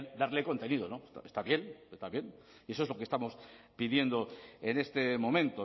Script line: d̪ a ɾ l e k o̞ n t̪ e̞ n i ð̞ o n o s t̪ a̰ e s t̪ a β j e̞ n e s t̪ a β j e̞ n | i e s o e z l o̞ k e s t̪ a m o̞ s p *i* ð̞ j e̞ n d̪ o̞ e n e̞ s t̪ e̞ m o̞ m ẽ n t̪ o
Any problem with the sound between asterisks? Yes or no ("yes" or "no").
no